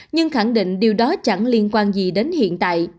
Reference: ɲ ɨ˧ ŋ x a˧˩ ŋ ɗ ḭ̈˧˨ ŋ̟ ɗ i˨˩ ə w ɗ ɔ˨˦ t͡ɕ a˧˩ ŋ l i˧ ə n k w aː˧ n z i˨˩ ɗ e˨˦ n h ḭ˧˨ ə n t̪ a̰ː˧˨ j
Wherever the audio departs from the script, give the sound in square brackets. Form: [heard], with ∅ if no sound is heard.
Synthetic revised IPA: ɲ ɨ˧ ŋ x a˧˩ ŋ ɗ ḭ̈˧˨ ŋ̟ ɗ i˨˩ ə w ɗ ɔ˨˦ t͡ɕ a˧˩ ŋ l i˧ ə n k w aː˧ n z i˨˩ ɗ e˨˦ n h ḭ˧˨ ə n t̪ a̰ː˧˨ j